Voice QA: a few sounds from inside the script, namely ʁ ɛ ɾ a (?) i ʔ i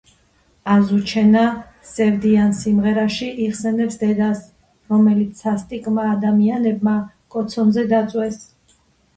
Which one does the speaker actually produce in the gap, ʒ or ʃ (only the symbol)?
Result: ʃ